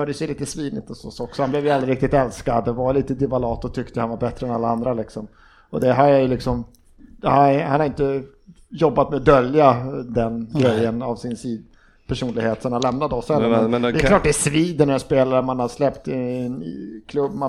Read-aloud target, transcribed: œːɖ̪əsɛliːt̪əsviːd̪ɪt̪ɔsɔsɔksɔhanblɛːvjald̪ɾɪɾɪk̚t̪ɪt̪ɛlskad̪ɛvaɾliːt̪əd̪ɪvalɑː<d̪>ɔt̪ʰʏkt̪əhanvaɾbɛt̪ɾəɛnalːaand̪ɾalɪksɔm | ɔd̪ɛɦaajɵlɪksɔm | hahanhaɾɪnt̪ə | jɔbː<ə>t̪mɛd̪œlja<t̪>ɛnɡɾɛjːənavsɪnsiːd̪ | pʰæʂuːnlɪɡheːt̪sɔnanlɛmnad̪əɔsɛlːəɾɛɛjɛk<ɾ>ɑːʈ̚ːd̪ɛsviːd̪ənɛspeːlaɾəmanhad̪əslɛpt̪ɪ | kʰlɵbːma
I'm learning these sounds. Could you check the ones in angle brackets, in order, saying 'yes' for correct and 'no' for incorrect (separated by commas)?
no, no, no, no